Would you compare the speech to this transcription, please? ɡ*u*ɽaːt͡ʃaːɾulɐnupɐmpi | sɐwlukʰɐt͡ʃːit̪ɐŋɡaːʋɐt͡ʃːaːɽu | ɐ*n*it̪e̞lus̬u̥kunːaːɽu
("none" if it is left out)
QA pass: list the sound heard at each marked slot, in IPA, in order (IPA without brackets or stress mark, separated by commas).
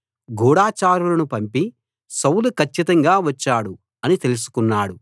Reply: uː, n